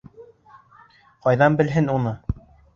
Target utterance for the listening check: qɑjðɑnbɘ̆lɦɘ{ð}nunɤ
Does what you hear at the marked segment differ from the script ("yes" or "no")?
yes